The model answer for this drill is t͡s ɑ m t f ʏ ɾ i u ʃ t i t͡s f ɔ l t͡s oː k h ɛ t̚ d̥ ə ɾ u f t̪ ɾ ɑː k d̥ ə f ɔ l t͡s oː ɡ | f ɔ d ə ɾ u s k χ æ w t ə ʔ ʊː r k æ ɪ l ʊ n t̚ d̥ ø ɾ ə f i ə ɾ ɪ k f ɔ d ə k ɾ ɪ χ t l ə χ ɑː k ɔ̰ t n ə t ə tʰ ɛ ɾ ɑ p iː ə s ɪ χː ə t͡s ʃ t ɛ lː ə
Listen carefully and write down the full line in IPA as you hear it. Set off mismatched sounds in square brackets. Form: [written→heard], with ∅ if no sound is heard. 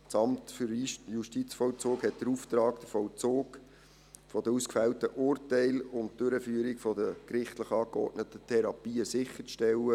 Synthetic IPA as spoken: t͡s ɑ m t f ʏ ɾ [i→j] u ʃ t i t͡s f ɔ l t͡s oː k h ɛ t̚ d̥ ə ɾ u f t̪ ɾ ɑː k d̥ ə f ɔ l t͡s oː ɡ | f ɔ d ə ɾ u s k [χ→f] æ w t ə ʔ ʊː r [k→t] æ ɪ l ʊ n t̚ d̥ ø ɾ ə f [i→y] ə ɾ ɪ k f ɔ d ə k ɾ ɪ χ t l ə χ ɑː k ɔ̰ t n ə t ə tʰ ɛ ɾ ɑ p iː ə s ɪ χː ə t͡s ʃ t ɛ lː ə